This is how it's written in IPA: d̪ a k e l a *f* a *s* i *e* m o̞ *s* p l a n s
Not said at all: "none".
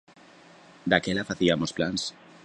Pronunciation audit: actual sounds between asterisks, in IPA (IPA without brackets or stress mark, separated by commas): f, θ, a, s